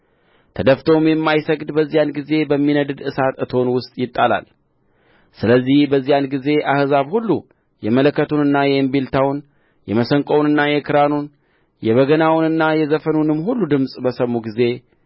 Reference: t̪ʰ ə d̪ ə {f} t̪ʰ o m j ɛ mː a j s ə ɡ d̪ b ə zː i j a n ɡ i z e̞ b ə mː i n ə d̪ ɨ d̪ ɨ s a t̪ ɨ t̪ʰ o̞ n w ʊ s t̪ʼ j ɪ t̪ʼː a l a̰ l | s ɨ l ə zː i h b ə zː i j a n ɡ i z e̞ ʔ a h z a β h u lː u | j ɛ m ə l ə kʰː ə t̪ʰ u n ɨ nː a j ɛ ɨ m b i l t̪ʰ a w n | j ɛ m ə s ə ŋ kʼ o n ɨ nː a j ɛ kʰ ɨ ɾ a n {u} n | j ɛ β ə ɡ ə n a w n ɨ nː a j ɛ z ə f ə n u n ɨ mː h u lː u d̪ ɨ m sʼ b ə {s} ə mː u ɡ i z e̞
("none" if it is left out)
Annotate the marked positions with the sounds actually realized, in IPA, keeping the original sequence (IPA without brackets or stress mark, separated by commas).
f, u, s